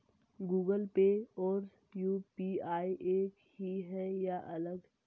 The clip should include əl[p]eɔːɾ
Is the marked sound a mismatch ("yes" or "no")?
no